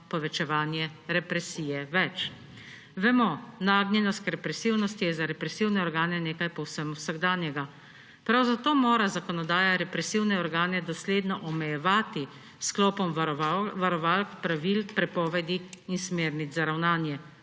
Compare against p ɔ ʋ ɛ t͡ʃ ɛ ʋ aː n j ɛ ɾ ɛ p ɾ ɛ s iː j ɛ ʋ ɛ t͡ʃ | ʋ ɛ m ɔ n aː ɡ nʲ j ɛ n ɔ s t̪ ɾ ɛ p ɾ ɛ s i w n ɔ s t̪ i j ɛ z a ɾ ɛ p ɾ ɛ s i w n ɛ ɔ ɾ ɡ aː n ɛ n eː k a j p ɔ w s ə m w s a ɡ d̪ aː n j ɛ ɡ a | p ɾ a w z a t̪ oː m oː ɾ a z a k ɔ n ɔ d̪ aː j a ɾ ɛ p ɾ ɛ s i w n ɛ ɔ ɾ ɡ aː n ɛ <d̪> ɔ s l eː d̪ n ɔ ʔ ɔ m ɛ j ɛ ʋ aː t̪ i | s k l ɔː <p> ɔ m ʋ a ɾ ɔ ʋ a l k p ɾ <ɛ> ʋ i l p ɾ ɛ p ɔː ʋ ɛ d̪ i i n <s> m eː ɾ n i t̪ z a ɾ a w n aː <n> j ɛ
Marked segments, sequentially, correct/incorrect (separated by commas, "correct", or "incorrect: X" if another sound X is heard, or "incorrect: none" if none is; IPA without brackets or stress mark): correct, correct, incorrect: a, correct, correct